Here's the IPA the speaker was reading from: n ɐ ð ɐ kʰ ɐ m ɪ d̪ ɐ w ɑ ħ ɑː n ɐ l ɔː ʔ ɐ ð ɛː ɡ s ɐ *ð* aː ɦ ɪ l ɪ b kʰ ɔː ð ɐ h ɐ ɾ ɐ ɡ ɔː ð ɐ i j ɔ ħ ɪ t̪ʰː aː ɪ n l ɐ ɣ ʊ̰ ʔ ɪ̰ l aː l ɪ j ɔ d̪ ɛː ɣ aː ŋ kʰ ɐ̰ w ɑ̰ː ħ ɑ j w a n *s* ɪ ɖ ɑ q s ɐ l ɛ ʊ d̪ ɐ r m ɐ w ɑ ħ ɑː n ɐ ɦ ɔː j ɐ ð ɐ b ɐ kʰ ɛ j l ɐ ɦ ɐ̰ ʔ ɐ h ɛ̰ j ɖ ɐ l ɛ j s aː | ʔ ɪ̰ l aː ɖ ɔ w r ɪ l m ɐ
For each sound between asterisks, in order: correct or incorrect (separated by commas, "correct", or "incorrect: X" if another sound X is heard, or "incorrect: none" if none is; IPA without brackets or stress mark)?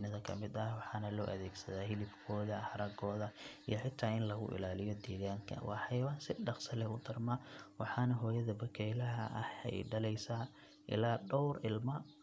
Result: correct, correct